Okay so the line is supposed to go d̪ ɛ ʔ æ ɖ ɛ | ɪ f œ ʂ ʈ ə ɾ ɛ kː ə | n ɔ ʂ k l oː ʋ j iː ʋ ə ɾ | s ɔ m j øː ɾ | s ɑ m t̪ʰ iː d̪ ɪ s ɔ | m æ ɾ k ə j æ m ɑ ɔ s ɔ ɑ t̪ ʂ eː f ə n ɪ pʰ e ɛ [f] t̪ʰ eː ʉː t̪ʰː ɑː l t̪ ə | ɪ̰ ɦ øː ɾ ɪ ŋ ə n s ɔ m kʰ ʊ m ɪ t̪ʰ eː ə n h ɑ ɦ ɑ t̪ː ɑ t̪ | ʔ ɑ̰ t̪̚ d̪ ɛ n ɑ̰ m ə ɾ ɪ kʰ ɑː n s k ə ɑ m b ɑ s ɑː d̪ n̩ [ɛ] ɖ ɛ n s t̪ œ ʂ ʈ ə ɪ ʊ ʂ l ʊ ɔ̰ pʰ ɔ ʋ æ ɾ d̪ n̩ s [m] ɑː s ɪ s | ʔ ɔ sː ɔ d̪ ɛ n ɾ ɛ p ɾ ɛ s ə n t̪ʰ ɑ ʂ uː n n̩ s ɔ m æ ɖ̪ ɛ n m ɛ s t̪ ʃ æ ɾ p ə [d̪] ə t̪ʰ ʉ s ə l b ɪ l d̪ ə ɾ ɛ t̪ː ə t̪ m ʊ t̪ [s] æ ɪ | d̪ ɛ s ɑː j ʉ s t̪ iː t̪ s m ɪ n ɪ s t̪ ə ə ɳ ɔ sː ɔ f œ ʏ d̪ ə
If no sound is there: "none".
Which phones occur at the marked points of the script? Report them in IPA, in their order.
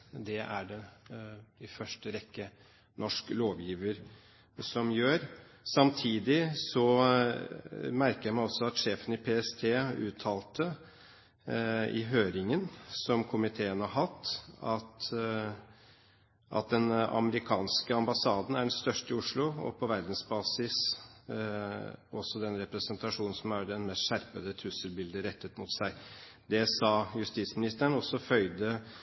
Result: s, æ, b, d̪, s

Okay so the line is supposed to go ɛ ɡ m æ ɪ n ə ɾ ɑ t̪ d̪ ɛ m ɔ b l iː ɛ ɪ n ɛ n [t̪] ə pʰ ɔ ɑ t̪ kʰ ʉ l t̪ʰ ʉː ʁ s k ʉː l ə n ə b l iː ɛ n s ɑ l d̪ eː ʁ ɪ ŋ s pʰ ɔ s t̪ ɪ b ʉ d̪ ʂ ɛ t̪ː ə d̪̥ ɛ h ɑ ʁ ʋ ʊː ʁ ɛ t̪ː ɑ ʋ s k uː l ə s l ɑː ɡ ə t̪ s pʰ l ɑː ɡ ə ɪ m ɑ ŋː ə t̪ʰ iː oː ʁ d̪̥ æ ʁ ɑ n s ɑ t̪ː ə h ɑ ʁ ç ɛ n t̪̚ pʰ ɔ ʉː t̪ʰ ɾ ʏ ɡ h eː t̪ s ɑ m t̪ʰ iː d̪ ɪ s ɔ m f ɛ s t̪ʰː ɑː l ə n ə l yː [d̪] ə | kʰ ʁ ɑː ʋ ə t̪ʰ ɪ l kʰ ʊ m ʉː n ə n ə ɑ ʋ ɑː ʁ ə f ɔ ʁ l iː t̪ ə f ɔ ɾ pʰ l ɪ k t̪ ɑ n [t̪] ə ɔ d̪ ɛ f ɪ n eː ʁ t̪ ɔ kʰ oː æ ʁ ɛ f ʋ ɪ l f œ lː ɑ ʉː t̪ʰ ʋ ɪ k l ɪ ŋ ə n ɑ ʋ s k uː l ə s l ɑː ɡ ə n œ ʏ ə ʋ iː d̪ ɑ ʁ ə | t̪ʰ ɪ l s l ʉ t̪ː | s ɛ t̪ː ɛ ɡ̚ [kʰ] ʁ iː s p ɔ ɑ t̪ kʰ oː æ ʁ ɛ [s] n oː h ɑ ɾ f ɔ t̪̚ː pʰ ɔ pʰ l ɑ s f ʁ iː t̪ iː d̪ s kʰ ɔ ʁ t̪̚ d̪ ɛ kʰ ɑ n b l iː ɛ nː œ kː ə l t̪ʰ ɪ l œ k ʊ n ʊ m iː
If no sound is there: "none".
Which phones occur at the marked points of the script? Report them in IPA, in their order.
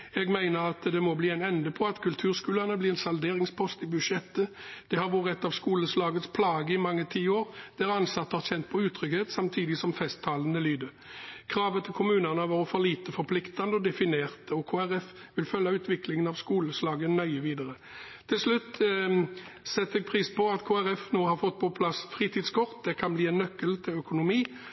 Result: d̪, d̪, d̪, pʰ, f

